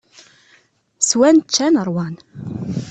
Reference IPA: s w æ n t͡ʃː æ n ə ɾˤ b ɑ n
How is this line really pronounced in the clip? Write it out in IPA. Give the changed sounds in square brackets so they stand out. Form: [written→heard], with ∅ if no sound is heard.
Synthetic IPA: s w æ n t͡ʃː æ n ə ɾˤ [b→w] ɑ n